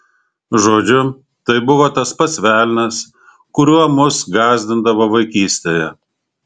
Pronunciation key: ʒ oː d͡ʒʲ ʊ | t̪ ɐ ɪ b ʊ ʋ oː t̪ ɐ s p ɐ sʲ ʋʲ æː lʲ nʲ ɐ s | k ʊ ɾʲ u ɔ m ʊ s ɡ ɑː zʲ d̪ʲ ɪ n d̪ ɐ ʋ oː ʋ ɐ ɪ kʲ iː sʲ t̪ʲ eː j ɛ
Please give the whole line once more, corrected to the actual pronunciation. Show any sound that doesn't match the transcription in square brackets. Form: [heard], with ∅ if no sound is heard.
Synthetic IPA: ʒ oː d͡ʒʲ ʊ | t̪ ɐ ɪ b ʊ ʋ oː t̪ ɐ s p ɐ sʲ ʋʲ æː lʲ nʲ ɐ s | k ʊ ɾʲ u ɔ m ʊ s ɡ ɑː zʲ d̪ʲ ɪ n d̪ ɐ ʋ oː ʋ ɐ ɪ kʲ iː sʲ t̪ʲ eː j ɛ